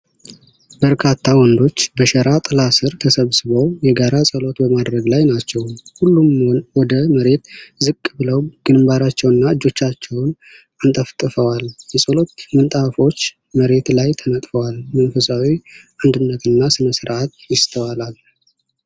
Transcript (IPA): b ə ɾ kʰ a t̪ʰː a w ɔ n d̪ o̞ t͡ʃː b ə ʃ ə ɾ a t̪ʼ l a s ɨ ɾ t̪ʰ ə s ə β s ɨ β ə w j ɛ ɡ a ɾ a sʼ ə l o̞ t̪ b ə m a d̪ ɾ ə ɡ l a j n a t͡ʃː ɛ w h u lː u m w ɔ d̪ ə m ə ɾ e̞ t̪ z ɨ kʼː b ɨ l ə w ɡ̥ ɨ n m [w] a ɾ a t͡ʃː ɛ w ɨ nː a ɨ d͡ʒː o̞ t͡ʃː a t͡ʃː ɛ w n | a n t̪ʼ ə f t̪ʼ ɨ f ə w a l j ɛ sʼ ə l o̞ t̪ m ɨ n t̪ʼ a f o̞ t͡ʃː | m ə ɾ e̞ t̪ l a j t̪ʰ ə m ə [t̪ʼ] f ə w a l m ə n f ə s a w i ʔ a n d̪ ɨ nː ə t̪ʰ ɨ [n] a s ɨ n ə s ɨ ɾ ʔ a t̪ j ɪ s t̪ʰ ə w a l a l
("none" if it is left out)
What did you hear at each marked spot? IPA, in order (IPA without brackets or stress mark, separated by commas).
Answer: b, t̪ʼ, nː